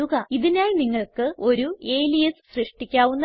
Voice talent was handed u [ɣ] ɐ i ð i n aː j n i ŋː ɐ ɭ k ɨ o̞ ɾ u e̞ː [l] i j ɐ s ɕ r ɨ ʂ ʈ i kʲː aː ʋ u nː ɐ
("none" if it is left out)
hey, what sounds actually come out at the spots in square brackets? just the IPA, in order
ɣ, l

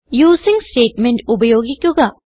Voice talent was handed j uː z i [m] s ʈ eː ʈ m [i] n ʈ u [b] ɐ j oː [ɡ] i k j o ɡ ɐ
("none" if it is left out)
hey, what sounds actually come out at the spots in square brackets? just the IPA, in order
ŋ, e, b, ɡ

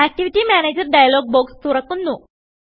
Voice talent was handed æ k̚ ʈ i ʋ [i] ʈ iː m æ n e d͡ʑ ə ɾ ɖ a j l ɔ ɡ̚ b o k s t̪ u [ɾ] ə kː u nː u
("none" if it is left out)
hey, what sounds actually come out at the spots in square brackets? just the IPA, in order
i, ɾ

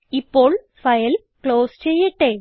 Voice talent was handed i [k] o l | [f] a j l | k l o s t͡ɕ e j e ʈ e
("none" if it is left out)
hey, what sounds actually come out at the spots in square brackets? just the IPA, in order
p, f

